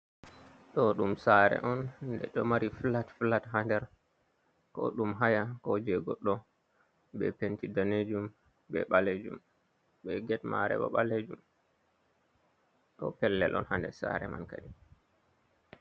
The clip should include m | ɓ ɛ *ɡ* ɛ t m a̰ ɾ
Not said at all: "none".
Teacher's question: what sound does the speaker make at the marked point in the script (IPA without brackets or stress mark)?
ɡ